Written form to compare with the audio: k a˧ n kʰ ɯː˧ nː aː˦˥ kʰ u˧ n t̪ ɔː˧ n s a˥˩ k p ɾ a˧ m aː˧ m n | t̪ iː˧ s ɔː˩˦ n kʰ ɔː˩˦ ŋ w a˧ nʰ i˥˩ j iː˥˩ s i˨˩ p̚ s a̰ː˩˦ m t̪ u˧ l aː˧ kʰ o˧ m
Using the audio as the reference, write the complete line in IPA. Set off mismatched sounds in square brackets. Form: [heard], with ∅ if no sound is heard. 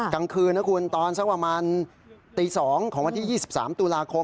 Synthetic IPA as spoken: k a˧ [ŋ] kʰ ɯː˧ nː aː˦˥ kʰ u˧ n t̪ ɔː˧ n s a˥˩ k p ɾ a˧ m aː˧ [∅] n | t̪ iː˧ s ɔː˩˦ [ŋ] kʰ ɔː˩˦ ŋ w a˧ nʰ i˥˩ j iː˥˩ s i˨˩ p̚ s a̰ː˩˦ m t̪ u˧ l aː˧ kʰ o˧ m